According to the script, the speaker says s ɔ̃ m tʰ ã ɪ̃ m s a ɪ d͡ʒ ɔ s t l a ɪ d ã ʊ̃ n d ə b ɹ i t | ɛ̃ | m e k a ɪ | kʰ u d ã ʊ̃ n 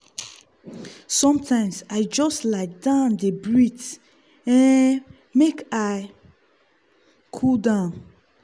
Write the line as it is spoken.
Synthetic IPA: s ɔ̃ m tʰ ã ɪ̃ m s a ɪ d͡ʒ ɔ s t l a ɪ d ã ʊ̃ n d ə b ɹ i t | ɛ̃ | m e k a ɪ | kʰ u d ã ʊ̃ n